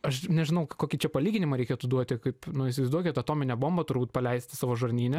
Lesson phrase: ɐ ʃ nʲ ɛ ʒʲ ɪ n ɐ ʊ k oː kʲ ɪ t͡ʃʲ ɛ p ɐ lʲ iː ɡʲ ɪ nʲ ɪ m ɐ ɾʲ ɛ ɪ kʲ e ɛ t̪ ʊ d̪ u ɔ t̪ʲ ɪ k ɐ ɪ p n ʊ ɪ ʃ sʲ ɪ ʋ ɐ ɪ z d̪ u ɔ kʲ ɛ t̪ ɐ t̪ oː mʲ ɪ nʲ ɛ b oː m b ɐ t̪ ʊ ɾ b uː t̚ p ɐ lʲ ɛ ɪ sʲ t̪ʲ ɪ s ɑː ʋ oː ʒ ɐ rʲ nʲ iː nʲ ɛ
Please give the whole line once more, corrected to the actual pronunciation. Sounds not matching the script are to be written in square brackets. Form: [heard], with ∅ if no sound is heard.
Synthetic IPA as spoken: ɐ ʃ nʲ ɛ ʒʲ ɪ n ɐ ʊ k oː kʲ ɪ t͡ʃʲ ɛ p ɐ lʲ iː ɡʲ ɪ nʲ ɪ m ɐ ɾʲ ɛ ɪ kʲ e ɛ t̪ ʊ d̪ u ɔ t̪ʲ ɪ k ɐ ɪ p n ʊ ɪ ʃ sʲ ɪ ʋ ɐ ɪ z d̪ u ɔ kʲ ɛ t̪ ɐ t̪ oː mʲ ɪ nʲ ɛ b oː m b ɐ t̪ ʊ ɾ b uː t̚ p ɐ lʲ ɛ ɪ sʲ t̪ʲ ɪ s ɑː ʋ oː ʒ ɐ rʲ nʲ iː nʲ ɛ